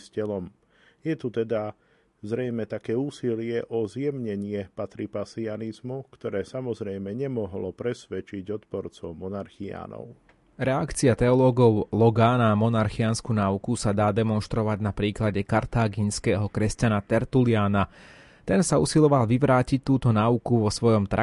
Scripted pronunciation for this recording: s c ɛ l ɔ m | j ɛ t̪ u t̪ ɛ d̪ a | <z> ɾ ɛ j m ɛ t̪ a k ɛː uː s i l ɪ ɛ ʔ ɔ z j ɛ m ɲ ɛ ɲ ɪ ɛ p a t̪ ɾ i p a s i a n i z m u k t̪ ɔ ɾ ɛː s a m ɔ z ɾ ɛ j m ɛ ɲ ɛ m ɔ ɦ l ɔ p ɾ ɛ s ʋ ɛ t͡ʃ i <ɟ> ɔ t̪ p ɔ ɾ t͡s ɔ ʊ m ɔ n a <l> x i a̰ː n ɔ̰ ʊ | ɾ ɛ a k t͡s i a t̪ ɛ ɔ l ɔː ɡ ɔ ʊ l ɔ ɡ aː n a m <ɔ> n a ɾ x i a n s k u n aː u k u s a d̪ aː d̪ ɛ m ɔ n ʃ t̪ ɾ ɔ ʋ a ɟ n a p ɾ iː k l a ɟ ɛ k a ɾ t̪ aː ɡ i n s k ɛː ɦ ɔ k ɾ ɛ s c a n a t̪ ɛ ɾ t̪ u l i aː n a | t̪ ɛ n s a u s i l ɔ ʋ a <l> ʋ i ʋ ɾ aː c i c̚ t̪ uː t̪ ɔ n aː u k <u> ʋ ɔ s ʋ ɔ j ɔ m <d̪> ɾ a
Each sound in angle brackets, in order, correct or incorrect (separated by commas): correct, correct, incorrect, correct, correct, correct, incorrect